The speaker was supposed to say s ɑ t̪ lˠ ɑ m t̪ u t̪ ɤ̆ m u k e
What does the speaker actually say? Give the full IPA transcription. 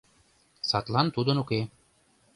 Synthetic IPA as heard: s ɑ t̪ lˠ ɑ n t̪ u d̪ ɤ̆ n u k e